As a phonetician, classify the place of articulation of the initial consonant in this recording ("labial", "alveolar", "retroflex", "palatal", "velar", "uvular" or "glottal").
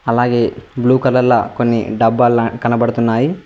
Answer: alveolar